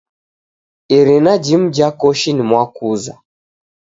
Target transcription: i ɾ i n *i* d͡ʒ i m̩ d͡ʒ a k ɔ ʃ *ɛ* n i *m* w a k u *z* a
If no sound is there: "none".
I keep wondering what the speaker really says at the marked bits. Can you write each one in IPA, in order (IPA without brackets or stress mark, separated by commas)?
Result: a, i, m, z